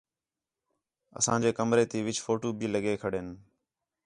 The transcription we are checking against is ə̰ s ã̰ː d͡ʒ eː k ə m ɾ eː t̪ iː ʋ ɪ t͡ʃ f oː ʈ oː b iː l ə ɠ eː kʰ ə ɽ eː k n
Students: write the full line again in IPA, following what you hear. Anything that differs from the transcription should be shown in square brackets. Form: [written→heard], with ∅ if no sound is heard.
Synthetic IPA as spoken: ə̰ s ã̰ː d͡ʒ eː k ə m ɾ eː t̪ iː ʋ ɪ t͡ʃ f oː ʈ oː b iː l ə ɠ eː kʰ ə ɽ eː [k→∅] n